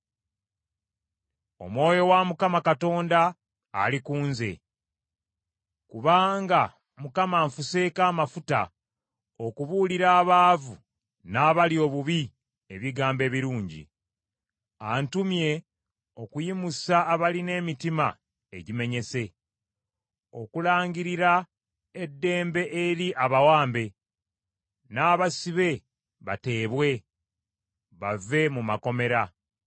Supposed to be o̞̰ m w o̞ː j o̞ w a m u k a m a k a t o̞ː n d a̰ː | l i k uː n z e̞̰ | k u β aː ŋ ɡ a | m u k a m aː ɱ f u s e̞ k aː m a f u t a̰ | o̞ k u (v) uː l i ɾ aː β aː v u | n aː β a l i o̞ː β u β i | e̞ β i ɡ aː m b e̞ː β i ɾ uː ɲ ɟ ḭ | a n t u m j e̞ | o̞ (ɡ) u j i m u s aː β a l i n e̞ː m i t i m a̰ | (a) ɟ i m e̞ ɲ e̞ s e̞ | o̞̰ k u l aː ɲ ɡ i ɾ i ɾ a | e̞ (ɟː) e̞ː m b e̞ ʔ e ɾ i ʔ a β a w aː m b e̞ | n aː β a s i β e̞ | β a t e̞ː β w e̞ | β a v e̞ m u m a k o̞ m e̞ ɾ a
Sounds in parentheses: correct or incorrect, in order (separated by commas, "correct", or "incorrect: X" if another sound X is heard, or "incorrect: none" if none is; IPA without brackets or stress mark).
incorrect: β, incorrect: k, incorrect: e, incorrect: dː